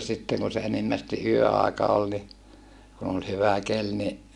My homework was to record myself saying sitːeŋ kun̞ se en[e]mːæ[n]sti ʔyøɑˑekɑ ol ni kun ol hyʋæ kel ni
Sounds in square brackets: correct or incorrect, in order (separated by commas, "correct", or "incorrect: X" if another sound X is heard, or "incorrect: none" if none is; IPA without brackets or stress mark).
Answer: incorrect: i, incorrect: none